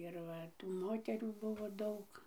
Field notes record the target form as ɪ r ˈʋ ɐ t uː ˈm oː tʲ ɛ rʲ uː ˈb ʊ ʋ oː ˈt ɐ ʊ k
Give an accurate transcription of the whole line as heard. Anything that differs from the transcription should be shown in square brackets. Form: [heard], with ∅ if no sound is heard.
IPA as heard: ɪ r ˈʋ ɐ t uː ˈm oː tʲ ɛ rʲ uː ˈb ʊ ʋ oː [ˈd] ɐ ʊ k